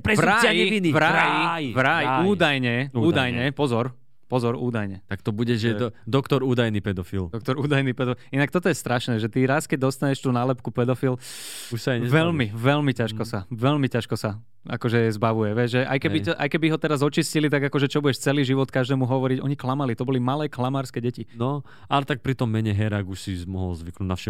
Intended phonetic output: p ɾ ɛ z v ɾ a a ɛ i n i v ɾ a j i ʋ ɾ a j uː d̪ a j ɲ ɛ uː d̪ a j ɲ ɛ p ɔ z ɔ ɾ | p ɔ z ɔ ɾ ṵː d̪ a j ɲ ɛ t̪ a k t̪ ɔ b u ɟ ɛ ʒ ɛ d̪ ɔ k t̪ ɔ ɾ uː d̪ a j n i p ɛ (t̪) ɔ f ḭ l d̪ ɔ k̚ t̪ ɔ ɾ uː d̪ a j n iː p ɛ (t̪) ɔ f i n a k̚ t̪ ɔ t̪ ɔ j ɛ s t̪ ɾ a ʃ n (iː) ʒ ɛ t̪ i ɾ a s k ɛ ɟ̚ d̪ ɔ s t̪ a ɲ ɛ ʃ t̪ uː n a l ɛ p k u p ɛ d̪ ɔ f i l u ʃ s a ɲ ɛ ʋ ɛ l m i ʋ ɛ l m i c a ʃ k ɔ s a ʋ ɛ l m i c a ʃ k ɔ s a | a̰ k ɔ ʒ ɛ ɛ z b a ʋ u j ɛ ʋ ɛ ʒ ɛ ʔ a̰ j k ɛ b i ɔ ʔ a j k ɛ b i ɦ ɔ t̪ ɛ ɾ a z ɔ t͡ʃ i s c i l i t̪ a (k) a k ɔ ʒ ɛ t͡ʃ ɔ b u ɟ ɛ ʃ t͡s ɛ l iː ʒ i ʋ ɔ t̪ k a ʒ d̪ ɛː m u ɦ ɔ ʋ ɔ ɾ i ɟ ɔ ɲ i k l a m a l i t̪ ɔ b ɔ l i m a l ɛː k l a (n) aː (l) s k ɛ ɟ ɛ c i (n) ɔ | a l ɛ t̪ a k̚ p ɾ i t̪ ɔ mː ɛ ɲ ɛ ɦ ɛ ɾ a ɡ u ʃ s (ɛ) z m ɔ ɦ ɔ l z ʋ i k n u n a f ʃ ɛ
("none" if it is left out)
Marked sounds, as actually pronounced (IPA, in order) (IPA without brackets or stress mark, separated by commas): d̪, d̪, ɛː, ɡ, m, ɾ, n, i